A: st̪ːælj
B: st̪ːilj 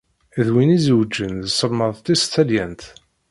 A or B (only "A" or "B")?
A